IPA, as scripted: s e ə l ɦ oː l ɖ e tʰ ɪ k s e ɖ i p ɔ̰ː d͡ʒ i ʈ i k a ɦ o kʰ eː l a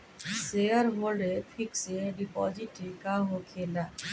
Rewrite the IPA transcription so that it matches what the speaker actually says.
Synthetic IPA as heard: s e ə ɾ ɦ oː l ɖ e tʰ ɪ k s e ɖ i p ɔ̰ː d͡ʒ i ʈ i k a ɦ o kʰ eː l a